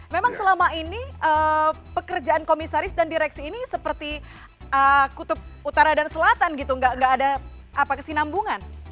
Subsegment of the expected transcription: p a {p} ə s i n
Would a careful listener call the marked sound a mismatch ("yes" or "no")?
yes